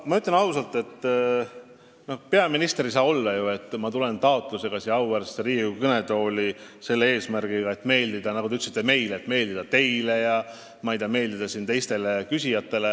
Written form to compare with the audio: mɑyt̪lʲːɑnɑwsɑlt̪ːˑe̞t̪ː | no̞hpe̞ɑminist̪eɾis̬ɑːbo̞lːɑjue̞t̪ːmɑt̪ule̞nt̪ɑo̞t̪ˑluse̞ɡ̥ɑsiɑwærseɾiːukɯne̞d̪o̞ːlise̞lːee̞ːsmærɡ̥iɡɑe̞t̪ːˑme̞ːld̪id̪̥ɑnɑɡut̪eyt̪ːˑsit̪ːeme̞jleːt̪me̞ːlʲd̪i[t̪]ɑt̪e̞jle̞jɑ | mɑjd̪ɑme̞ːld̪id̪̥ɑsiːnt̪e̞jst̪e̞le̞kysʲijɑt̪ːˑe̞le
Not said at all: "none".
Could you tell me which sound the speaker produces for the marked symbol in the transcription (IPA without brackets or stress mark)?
d̪